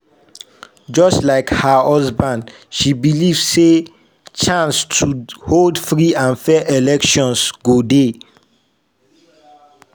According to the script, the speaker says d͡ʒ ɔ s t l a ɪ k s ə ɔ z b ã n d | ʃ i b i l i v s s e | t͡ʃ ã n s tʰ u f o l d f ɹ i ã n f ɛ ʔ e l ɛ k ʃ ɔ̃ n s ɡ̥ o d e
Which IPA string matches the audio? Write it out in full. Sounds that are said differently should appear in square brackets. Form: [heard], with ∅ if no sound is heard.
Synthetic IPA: d͡ʒ ɔ s t l a ɪ k [h] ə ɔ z b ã n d | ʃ i b i l i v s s e | t͡ʃ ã n s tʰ u [h] o l d f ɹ i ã n f ɛ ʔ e l ɛ k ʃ ɔ̃ n s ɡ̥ o d e